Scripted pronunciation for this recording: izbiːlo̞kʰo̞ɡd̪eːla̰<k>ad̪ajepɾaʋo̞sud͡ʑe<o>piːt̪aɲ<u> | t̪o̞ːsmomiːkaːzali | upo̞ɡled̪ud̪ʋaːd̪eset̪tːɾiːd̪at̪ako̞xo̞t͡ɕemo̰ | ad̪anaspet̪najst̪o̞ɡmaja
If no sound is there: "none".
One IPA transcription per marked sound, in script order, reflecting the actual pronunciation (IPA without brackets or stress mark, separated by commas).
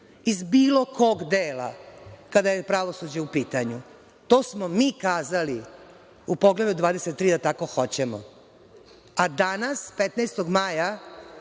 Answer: k, u, u